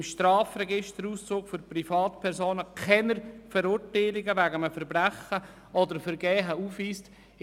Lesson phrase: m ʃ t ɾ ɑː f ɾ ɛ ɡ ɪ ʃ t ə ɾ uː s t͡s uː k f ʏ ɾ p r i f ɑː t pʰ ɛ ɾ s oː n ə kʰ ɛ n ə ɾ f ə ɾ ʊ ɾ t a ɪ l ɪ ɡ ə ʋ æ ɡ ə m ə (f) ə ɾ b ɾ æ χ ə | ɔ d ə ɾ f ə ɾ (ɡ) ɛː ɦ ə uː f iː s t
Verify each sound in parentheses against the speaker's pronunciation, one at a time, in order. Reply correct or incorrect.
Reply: correct, correct

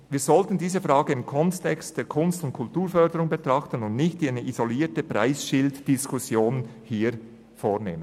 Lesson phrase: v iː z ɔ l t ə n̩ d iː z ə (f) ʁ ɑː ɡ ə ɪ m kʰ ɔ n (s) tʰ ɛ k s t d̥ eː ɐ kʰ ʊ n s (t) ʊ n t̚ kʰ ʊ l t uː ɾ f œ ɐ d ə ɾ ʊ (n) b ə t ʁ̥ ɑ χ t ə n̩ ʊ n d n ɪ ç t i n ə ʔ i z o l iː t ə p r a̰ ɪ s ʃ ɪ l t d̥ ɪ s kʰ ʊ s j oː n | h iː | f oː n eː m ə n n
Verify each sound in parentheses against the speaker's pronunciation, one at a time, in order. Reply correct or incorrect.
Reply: correct, correct, correct, incorrect: ŋ

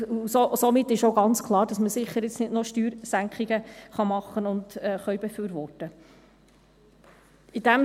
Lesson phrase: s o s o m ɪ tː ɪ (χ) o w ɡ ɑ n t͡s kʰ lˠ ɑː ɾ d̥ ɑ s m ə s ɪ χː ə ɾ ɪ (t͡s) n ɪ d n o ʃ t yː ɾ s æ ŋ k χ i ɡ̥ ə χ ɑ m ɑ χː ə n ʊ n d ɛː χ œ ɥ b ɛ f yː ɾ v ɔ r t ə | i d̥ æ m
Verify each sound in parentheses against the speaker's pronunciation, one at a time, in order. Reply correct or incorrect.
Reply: incorrect: ʃ, correct

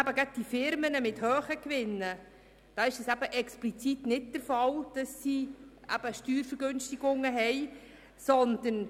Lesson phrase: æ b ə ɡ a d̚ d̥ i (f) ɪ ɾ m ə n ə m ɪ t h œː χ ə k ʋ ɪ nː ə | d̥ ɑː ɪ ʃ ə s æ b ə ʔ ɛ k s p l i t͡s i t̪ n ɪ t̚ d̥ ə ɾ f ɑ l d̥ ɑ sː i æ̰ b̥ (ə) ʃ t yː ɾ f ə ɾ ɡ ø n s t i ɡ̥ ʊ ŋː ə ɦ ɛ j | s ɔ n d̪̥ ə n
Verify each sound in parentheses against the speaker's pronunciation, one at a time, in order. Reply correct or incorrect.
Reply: correct, correct

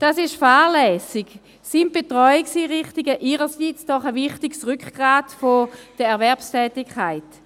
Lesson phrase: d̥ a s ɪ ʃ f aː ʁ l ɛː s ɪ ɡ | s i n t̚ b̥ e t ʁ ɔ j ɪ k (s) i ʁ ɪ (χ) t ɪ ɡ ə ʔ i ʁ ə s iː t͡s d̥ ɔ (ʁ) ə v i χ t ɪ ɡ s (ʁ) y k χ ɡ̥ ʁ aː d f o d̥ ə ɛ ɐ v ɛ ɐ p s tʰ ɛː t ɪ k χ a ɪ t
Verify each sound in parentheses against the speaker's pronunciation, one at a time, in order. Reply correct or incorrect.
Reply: correct, correct, incorrect: χ, correct

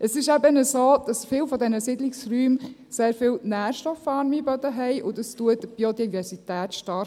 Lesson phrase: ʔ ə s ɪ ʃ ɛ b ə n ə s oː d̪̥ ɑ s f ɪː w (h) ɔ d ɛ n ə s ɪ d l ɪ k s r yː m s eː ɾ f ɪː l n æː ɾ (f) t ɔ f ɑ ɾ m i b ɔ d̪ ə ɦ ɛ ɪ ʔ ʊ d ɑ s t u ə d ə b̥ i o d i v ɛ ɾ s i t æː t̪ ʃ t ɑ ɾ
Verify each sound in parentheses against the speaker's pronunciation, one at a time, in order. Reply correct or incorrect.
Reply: incorrect: f, incorrect: ʃ

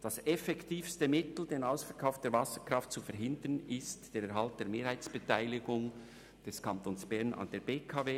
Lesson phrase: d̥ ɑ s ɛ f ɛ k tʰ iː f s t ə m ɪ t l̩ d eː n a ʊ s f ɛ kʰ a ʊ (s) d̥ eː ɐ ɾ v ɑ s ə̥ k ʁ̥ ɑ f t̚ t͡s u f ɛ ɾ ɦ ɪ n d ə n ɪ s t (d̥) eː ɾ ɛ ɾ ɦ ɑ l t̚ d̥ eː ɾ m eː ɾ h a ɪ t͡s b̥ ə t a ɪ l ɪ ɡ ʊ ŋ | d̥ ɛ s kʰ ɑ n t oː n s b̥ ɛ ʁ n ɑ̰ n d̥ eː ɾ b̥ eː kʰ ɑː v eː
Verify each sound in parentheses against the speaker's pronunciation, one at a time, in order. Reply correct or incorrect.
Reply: incorrect: f, correct

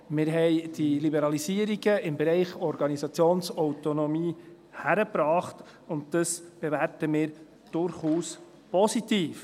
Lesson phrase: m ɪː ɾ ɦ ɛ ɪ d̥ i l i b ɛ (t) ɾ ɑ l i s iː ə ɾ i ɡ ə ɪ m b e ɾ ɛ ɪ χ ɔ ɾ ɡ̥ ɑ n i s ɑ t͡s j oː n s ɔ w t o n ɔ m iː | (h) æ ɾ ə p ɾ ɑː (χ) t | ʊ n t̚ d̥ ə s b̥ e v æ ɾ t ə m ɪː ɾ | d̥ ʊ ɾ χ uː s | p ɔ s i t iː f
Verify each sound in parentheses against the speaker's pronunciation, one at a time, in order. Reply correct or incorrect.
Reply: incorrect: none, correct, correct

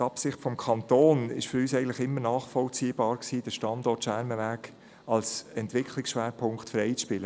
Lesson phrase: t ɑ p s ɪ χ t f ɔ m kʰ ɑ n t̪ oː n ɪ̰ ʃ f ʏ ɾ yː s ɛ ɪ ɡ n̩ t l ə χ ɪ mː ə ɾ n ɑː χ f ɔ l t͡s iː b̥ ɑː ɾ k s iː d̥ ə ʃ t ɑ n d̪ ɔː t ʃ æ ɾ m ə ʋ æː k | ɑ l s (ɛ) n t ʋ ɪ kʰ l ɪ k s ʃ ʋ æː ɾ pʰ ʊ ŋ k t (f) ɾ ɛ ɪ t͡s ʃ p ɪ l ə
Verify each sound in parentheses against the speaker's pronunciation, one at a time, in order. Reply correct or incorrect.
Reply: correct, correct

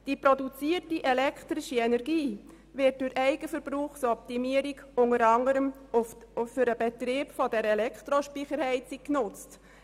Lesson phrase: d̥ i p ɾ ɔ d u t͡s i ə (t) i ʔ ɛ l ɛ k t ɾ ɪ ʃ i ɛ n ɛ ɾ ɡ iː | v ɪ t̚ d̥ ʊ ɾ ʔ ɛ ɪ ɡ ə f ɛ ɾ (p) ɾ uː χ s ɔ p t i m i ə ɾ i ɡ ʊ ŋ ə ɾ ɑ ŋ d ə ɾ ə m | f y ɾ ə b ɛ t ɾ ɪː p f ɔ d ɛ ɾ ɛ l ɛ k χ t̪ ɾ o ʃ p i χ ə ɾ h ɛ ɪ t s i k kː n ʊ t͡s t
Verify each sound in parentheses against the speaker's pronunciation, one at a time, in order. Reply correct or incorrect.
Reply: correct, incorrect: b

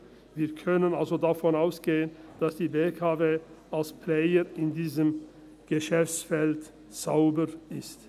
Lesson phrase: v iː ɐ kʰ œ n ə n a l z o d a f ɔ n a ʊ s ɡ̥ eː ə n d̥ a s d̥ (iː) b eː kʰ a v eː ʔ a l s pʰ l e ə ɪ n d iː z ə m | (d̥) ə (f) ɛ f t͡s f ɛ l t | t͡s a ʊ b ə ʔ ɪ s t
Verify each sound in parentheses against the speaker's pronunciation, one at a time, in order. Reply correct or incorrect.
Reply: correct, incorrect: ɡ̥, incorrect: ʃ

